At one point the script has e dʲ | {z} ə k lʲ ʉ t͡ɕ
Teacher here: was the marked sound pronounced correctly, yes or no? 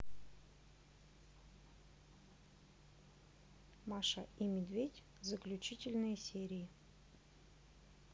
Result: yes